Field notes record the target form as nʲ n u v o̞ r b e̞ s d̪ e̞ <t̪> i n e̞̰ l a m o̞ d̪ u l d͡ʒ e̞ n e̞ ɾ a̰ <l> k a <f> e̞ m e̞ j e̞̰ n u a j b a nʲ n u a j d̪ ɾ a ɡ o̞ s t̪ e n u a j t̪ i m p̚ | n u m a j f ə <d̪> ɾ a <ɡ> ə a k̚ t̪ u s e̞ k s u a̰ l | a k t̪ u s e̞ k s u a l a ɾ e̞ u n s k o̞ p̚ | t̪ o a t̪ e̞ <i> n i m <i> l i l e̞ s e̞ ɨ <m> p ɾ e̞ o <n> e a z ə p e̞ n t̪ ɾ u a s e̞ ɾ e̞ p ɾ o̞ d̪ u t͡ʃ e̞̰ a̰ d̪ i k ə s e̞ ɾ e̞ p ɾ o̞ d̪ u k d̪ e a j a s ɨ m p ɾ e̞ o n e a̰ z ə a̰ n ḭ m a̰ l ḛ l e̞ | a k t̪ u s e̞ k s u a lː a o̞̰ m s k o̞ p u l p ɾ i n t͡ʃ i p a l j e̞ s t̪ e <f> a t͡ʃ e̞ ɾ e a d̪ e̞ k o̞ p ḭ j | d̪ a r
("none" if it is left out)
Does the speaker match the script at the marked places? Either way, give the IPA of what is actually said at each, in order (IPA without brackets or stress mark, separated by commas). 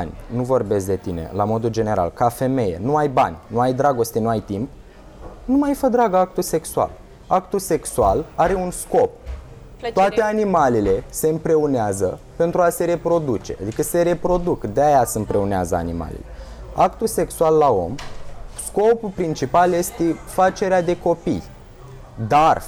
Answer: t̪, l, f, d̪, ɡ, a, a, m, n, f